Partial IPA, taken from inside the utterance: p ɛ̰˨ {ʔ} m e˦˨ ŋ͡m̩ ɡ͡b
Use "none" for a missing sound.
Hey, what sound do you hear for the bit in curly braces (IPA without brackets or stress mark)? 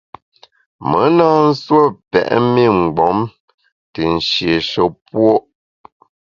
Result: ʔ